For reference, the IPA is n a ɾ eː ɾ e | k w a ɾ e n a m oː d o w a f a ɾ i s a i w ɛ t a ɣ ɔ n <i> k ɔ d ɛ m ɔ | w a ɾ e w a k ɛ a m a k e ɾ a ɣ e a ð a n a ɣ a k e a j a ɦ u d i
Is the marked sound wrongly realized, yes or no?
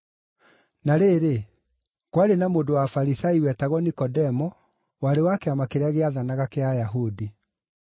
no